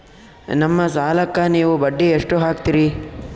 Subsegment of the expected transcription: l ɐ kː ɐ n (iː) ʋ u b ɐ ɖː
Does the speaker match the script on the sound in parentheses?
yes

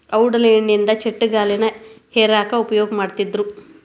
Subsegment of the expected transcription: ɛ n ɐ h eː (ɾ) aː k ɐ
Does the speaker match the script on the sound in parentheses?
yes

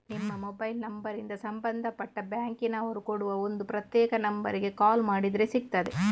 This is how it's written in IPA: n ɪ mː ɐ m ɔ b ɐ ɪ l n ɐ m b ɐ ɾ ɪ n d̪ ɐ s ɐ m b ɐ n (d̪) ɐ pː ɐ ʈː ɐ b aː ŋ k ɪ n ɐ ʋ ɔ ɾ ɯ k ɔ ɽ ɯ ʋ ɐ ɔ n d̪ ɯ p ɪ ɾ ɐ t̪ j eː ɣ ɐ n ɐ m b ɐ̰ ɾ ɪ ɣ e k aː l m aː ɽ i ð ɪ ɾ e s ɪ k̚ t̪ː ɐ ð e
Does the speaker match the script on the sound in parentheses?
yes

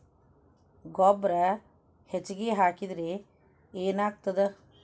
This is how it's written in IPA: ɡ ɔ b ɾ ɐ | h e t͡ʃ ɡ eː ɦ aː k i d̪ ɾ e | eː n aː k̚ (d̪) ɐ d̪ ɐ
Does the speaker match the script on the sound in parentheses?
no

